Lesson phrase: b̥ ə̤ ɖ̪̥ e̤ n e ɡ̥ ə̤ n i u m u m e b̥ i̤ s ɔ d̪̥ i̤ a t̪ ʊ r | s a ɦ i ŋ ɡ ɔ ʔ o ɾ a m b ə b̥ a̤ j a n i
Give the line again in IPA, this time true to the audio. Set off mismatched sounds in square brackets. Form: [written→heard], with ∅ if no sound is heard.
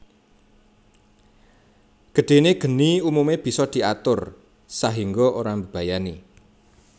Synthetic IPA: [b̥→ɡ̥] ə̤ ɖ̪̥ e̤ n e ɡ̥ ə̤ n i u m u m e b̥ i̤ s ɔ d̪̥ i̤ a t̪ ʊ r | s a ɦ i ŋ ɡ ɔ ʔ o ɾ a m b ə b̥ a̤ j a n i